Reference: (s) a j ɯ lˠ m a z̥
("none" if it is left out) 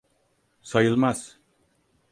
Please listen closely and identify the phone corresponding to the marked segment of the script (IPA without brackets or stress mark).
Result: s